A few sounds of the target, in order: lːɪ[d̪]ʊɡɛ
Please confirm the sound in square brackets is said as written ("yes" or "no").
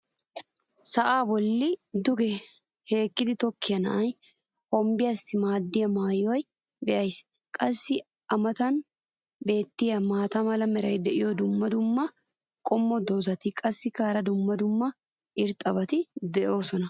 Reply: yes